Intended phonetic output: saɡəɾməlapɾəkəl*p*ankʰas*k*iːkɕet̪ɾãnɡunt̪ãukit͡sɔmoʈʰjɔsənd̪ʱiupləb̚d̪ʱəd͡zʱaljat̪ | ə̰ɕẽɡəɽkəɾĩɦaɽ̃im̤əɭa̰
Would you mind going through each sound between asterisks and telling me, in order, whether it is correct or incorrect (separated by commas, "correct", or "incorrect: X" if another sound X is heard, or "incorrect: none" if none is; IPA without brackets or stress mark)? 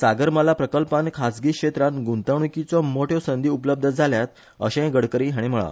correct, incorrect: ɡ